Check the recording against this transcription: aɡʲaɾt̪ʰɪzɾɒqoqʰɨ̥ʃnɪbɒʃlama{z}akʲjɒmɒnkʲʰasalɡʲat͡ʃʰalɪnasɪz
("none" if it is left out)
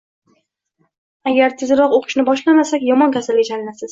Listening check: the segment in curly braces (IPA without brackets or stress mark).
s